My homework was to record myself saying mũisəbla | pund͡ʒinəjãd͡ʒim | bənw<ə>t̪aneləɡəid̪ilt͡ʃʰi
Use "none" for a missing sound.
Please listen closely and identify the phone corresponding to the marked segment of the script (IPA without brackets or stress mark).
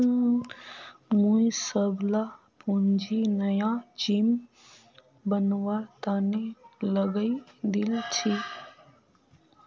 a